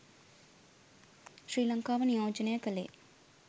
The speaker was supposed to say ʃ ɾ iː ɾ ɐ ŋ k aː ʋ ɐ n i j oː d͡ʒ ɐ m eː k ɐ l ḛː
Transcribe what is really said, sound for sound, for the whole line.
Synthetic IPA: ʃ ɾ iː l ɐ ŋ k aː ʋ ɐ n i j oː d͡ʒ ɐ n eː k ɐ l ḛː